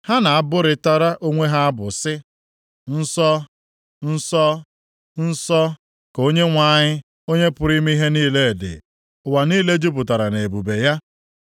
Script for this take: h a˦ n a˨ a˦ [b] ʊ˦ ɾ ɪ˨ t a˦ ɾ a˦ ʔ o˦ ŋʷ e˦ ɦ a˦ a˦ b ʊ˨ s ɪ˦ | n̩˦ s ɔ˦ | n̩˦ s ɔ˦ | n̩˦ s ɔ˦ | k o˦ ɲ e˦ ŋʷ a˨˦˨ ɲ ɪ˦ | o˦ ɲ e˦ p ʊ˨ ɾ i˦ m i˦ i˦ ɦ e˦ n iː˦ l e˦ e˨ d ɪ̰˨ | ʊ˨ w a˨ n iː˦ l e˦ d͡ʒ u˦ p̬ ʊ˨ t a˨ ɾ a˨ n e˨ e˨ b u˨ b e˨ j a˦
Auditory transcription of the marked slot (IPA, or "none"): b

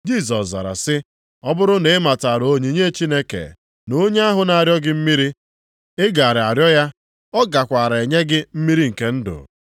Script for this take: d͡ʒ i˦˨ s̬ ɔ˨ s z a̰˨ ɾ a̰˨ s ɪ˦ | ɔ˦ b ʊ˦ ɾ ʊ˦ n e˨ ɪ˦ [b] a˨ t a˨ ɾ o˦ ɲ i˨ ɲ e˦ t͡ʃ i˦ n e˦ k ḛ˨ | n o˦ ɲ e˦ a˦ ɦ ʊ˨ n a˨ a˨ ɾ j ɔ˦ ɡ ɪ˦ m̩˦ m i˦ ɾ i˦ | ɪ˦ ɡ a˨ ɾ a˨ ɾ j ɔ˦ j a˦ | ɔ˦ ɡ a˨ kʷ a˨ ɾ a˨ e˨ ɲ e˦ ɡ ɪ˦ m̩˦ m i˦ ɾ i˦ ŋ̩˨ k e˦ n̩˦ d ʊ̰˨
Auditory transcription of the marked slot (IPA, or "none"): m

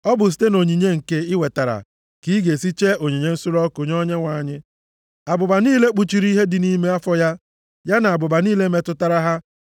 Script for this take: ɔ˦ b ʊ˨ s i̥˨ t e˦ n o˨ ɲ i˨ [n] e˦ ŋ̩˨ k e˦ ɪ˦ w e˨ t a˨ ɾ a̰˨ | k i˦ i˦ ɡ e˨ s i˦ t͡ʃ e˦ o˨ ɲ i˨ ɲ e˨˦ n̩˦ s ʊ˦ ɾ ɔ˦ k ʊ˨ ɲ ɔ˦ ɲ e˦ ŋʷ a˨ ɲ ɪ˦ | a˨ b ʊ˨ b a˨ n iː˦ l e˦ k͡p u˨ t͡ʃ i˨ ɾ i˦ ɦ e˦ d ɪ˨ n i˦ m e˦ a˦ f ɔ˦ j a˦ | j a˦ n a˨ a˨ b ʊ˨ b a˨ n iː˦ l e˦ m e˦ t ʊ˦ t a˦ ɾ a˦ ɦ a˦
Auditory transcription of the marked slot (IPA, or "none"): ɲ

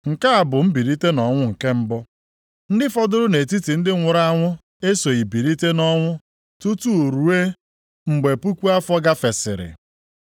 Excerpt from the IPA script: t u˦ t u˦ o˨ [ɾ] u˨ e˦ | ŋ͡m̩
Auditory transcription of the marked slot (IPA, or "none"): ɾ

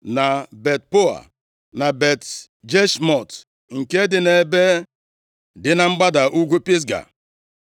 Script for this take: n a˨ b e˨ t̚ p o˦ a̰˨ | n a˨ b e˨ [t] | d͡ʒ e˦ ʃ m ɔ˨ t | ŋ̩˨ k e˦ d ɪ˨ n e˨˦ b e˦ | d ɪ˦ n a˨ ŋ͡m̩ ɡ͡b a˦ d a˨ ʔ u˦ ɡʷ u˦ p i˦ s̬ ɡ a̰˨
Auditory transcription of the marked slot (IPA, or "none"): t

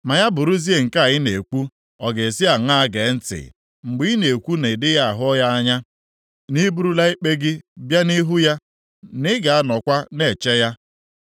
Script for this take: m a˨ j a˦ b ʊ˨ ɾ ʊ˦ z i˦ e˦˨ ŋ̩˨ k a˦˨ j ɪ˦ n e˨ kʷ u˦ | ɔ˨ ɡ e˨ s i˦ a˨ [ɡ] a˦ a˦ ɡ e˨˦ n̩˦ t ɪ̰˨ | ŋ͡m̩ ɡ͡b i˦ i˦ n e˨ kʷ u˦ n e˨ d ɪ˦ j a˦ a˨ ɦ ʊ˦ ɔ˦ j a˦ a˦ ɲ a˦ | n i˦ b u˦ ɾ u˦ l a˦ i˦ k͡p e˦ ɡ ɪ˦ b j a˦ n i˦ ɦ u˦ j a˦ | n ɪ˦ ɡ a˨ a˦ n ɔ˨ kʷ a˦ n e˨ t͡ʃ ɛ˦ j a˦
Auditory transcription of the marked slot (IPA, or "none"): ŋ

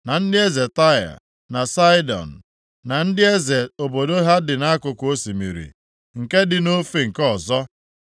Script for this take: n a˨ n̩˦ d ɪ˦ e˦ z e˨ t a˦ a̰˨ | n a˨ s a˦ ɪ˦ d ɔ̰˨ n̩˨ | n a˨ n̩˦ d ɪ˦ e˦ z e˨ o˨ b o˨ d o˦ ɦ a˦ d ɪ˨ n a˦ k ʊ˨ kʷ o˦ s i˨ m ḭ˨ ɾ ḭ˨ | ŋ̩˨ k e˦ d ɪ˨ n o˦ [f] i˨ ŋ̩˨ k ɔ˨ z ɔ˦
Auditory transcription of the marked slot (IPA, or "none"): f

